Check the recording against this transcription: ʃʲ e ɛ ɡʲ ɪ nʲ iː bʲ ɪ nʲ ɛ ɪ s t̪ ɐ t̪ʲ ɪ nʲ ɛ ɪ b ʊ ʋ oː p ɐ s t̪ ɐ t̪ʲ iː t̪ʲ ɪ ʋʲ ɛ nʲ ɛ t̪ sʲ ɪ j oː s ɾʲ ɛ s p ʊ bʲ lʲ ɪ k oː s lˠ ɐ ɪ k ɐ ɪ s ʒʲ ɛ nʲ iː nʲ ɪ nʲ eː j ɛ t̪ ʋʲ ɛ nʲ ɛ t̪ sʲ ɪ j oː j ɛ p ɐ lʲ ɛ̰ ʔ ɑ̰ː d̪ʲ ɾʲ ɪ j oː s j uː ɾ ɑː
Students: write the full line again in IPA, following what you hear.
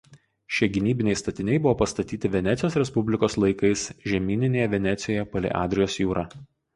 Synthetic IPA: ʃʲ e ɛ ɡʲ ɪ nʲ iː bʲ ɪ nʲ ɛ ɪ s t̪ ɐ t̪ʲ ɪ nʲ ɛ ɪ b ʊ ʋ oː p ɐ s t̪ ɐ t̪ʲ iː t̪ʲ ɪ ʋʲ ɛ nʲ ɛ t̪ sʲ ɪ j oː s ɾʲ ɛ s p ʊ bʲ lʲ ɪ k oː s lˠ ɐ ɪ k ɐ ɪ s ʒʲ ɛ mʲ iː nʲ ɪ nʲ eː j ɛ ʋʲ ɛ nʲ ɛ t̪ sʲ ɪ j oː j ɛ p ɐ lʲ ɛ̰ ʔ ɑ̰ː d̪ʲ ɾʲ ɪ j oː s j uː ɾ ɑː

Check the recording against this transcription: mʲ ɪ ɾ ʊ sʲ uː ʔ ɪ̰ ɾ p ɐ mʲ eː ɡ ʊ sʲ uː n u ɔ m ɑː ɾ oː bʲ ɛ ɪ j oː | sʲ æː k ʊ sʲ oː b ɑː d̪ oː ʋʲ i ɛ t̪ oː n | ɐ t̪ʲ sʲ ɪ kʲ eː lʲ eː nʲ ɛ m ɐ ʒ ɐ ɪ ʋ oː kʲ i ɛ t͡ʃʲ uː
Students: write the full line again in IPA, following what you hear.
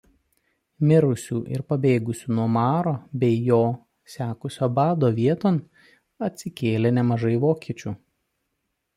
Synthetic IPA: mʲ ɪ ɾ ʊ sʲ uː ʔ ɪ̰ ɾ p ɐ bʲ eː ɡ ʊ sʲ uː n u ɔ m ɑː ɾ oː bʲ ɛ ɪ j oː | sʲ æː k ʊ sʲ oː b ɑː d̪ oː ʋʲ i ɛ t̪ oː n | ɐ t̪ʲ sʲ ɪ kʲ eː lʲ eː nʲ ɛ m ɐ ʒ ɐ ɪ ʋ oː kʲ i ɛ t͡ʃʲ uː

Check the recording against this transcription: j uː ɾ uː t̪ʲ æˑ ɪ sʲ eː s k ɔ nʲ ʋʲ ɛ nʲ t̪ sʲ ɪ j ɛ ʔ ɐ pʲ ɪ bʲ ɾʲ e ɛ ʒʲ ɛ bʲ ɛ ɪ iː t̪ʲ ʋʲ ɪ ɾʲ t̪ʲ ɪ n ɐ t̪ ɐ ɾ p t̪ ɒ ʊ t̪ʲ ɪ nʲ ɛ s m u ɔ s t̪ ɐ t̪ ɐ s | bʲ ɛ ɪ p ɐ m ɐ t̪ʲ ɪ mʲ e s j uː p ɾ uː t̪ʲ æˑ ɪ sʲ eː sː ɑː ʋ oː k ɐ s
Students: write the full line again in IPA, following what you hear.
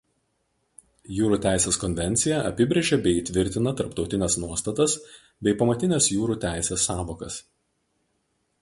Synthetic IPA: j uː ɾ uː t̪ʲ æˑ ɪ sʲ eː s k ɔ nʲ ʋʲ ɛ nʲ t̪ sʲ ɪ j ɛ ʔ ɐ pʲ ɪ bʲ ɾʲ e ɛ ʒʲ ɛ bʲ ɛ ɪ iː t̪ʲ ʋʲ ɪ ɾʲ t̪ʲ ɪ n ɐ t̪ ɐ ɾ p t̪ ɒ ʊ t̪ʲ ɪ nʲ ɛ s n u ɔ s t̪ ɐ t̪ ɐ s | bʲ ɛ ɪ p ɐ m ɐ t̪ʲ ɪ nʲ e s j uː ɾ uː t̪ʲ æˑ ɪ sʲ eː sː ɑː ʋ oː k ɐ s

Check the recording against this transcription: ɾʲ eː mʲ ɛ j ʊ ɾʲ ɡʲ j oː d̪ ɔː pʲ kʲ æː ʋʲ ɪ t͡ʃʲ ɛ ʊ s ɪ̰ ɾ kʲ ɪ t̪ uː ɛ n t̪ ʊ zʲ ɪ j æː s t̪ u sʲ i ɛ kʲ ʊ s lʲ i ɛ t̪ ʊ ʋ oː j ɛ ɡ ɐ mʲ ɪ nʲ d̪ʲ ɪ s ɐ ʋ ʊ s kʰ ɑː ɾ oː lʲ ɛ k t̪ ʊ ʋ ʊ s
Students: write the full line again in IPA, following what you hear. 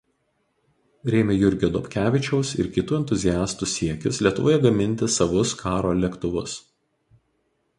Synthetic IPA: ɾʲ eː mʲ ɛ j ʊ ɾʲ ɡʲ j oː d̪ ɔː pʲ kʲ æː ʋʲ ɪ t͡ʃʲ ɛ ʊ s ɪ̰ ɾ kʲ ɪ t̪ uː ɛ n t̪ ʊ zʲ ɪ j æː s t̪ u sʲ i ɛ kʲ ʊ s lʲ i ɛ t̪ ʊ ʋ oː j ɛ ɡ ɐ mʲ ɪ nʲ t̪ʲ ɪ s ɐ ʋ ʊ s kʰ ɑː ɾ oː lʲ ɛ k t̪ ʊ ʋ ʊ s

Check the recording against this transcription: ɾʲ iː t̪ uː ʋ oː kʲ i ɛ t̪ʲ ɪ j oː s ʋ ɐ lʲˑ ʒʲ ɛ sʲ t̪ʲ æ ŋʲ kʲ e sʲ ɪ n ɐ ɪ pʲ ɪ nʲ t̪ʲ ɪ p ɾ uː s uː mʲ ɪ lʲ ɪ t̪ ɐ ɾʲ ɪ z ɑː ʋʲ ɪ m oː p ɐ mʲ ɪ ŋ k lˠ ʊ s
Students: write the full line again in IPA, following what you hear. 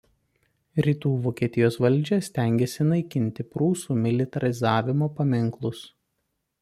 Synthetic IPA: ɾʲ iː t̪ uː ʋ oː kʲ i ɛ t̪ʲ ɪ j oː s ʋ ɐ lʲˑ d͡ʒʲ ɛ sʲ t̪ʲ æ ŋʲ ɡʲ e sʲ ɪ n ɐ ɪ kʲ ɪ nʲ t̪ʲ ɪ p ɾ uː s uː mʲ ɪ lʲ ɪ t̪ ɐ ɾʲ ɪ z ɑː ʋʲ ɪ m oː p ɐ mʲ ɪ ŋ k lˠ ʊ s

